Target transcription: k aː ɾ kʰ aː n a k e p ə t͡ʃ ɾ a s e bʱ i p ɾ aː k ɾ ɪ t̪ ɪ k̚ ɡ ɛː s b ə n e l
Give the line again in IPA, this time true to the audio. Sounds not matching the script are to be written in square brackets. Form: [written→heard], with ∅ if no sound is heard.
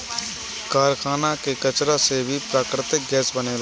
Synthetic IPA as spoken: k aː ɾ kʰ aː n a k e [p→k] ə t͡ʃ ɾ a s e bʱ i p ɾ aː k ɾ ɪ t̪ ɪ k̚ ɡ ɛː s b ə n e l